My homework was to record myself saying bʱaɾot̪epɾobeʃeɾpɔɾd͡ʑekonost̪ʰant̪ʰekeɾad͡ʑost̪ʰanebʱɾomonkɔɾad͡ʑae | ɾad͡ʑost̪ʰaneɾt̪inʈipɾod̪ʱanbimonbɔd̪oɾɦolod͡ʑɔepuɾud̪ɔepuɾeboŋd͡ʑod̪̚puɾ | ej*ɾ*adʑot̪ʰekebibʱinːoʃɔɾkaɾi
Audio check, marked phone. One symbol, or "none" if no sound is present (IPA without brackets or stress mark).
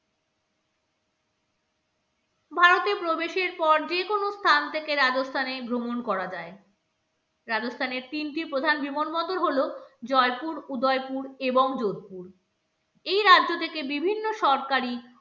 ɾ